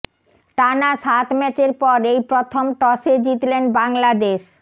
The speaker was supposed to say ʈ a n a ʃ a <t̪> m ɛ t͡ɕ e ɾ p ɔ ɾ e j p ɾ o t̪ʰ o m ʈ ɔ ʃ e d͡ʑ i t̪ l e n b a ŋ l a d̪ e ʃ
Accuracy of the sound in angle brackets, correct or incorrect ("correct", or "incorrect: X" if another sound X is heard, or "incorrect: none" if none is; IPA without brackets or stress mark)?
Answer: correct